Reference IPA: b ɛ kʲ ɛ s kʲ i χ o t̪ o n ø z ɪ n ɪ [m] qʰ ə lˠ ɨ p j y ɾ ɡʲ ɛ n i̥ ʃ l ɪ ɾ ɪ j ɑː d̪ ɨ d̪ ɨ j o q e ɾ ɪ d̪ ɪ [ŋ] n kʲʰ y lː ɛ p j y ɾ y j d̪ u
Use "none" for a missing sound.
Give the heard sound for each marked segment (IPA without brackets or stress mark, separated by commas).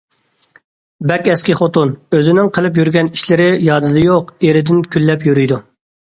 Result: ŋ, none